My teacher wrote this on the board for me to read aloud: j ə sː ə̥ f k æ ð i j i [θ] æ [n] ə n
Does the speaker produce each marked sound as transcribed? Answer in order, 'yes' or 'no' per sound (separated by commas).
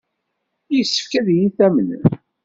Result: yes, no